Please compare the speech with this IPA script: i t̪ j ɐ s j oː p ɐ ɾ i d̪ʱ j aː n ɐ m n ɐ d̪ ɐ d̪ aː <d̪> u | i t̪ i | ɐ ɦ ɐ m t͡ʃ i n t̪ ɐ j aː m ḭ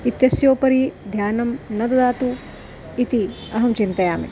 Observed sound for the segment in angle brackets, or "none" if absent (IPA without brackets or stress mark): t̪